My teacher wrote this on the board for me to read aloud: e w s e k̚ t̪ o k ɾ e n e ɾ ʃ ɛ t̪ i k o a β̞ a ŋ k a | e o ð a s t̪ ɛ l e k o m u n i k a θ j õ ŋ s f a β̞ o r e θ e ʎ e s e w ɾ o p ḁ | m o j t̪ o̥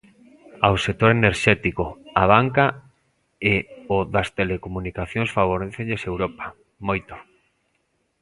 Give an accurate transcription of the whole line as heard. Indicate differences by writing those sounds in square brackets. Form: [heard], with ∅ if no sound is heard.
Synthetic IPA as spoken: [a] w s e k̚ t̪ o [∅] ɾ e n e ɾ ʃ ɛ t̪ i k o a β̞ a ŋ k a | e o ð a s t̪ [e] l e k o m u n i k a θ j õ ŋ s f a β̞ o [ɾ] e θ e ʎ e s e w ɾ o p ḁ | m o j t̪ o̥